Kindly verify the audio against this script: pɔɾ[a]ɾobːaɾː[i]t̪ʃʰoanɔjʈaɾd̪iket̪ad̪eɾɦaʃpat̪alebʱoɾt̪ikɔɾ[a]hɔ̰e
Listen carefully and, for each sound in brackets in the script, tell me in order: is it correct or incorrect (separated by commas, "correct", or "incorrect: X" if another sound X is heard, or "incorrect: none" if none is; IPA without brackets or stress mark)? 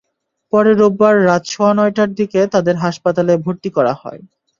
incorrect: e, incorrect: a, correct